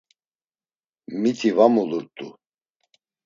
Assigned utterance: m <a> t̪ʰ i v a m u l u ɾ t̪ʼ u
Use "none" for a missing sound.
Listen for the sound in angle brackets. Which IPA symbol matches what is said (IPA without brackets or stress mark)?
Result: i